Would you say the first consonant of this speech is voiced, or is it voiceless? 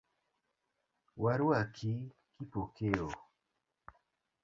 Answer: voiced